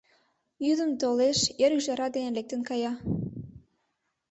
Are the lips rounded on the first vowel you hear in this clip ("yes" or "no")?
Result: yes